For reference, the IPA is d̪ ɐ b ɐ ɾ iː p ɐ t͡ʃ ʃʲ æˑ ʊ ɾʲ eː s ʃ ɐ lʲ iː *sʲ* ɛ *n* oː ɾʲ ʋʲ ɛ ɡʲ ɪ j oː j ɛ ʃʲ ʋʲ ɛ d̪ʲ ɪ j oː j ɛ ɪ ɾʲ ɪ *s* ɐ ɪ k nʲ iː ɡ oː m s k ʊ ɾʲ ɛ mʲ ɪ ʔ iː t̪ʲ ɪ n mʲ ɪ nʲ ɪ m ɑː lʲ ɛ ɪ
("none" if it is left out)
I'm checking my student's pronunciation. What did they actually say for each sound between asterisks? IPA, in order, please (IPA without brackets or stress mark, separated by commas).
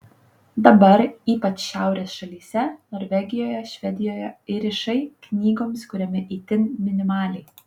sʲ, n, ʃ